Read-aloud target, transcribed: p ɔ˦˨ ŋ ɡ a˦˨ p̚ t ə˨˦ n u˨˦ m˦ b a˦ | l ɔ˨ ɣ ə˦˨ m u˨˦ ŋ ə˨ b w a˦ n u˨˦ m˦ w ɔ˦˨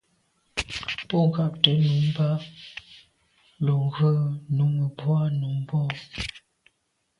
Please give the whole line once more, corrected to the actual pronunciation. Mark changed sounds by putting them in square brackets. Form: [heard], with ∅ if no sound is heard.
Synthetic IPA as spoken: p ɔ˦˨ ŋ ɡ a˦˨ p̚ t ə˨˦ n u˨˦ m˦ b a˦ | l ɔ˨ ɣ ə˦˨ [n] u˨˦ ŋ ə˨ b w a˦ n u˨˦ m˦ [b] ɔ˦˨